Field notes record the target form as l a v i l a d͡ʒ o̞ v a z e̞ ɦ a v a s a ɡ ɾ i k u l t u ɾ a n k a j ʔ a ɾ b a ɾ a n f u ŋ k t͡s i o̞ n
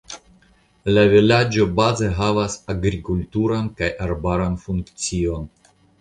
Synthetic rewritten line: l a v i l a d͡ʒ o̞ b a z e̞ ɦ a v a s a ɡ ɾ i k u l t u ɾ a n k a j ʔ a ɾ b a ɾ a n f u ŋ k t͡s i o̞ n

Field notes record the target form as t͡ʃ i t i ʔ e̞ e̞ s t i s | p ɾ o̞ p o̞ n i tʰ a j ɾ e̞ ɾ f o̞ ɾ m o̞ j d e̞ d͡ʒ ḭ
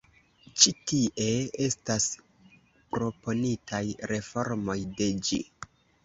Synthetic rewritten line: t͡ʃ i t i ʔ e̞ e̞ s t a s | p ɾ o̞ p o̞ n i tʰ a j ɾ e̞ f o̞ ɾ m o̞ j d e̞ d͡ʒ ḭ

